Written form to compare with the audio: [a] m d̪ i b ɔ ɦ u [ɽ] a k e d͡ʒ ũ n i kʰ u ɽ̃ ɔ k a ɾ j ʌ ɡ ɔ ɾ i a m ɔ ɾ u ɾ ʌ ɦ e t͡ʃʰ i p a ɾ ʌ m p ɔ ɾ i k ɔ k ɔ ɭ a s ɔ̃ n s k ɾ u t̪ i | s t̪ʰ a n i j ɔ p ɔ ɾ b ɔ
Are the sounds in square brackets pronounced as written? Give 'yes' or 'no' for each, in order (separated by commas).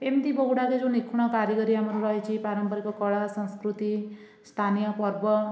no, yes